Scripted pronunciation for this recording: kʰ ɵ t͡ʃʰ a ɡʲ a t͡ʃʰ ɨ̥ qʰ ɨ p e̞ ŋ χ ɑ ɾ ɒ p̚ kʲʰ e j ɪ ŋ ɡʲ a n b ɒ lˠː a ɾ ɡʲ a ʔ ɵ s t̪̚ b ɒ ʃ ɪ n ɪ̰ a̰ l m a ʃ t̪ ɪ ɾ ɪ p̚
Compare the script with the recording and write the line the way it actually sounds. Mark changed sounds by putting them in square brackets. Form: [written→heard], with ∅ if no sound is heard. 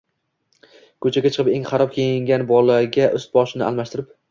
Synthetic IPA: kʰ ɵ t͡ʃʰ a ɡʲ a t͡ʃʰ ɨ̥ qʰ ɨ p e̞ ŋ χ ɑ ɾ ɒ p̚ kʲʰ e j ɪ ŋ ɡʲ a n b ɒ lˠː a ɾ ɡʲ a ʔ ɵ s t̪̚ b ɒ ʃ ɪ n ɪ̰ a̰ l m a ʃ t̪ ɪ ɾ ɪ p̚